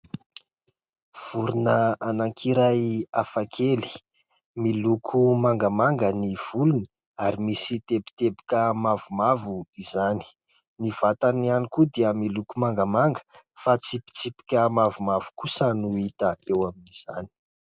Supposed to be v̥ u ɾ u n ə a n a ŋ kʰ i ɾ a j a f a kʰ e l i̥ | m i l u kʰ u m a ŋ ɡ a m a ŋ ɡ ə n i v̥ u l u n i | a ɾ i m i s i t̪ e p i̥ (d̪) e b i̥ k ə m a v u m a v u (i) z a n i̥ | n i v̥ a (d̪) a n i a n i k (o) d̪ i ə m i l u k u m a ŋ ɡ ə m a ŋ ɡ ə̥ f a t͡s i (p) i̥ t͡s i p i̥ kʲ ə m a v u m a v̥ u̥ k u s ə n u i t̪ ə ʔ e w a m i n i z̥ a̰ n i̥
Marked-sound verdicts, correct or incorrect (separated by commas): incorrect, correct, incorrect, incorrect, correct